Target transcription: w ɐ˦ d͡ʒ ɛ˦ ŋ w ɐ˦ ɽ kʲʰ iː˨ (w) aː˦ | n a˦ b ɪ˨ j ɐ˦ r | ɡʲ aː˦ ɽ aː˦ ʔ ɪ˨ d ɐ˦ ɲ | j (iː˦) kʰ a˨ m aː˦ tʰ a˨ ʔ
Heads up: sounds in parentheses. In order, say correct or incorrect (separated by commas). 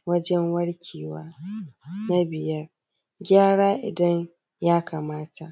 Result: correct, incorrect